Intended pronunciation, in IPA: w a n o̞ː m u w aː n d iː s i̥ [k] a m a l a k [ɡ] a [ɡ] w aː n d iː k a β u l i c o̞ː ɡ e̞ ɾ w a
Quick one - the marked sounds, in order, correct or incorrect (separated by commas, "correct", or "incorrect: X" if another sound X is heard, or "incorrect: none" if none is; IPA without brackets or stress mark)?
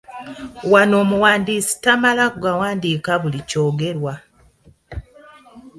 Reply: incorrect: t, correct, incorrect: none